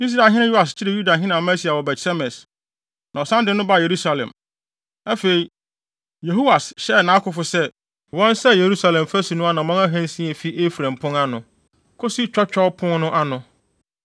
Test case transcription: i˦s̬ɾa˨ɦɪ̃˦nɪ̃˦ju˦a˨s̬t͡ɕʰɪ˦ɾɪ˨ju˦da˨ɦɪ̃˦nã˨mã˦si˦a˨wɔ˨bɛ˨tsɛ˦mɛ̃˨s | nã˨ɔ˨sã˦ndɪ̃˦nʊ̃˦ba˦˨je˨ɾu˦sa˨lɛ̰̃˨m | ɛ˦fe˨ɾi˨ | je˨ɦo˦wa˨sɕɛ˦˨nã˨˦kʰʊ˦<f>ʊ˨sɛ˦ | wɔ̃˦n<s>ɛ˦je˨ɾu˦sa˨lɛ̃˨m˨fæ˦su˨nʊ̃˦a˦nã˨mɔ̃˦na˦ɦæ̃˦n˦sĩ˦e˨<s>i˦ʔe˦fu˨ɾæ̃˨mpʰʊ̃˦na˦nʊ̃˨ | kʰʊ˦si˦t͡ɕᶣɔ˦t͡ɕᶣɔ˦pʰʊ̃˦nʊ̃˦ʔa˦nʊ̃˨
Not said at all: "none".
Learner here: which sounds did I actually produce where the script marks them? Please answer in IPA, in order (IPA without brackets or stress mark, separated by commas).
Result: f, s, f